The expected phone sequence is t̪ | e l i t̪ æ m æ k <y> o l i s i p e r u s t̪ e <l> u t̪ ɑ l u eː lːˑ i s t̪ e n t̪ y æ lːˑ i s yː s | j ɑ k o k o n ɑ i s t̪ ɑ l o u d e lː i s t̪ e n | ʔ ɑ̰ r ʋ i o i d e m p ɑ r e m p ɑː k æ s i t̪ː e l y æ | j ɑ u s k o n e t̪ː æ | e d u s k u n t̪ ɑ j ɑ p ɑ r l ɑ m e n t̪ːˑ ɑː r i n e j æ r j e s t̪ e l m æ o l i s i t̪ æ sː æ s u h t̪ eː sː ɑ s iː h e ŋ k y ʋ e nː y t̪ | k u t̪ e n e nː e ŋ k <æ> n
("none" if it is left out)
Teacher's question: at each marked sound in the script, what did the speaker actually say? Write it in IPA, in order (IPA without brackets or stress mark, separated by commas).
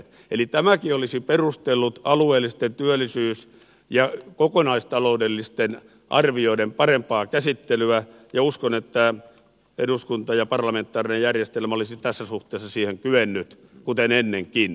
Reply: i, lː, i